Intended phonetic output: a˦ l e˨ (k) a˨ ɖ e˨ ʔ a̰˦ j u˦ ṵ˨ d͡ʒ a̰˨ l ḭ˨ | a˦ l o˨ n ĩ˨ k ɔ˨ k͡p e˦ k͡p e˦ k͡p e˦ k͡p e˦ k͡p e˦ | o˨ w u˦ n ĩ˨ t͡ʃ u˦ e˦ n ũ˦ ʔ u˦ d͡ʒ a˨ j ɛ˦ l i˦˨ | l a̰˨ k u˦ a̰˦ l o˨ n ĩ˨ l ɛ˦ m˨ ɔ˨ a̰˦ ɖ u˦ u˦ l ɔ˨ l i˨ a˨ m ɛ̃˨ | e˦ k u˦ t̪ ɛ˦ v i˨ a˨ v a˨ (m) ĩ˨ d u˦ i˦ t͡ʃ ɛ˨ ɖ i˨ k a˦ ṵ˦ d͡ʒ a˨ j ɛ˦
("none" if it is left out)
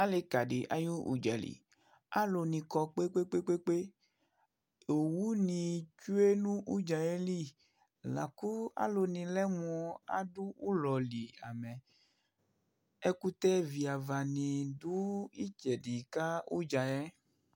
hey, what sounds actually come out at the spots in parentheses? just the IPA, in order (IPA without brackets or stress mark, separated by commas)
k, n